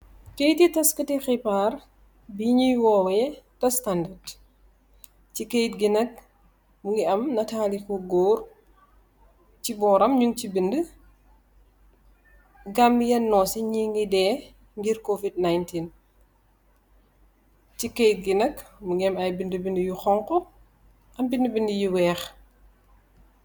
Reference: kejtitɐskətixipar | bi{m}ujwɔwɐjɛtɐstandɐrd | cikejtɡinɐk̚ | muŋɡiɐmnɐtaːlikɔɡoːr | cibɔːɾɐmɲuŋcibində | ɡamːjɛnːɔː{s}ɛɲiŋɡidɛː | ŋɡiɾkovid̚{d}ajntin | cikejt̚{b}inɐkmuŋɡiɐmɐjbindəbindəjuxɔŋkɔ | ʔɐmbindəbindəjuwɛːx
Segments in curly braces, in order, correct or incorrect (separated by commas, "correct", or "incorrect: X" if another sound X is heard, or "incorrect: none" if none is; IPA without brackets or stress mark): incorrect: ɲ, correct, incorrect: n, incorrect: ɡ